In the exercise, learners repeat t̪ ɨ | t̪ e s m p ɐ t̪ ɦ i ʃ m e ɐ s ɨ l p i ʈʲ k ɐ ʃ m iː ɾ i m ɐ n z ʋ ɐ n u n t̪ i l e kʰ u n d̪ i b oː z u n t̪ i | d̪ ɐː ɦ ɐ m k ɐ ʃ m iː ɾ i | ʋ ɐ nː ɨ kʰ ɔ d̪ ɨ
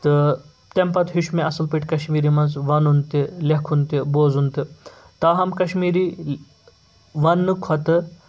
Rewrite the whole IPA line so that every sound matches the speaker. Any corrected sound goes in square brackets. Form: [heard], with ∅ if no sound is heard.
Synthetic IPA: t̪ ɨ | t̪ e [∅] m p ɐ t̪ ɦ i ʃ m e ɐ s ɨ l p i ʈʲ k ɐ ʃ m iː ɾ i m ɐ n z ʋ ɐ n u n t̪ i l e kʰ u n [t̪] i b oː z u n t̪ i | [t̪] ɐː ɦ ɐ m k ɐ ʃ m iː ɾ i | ʋ ɐ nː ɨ kʰ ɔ [t̪] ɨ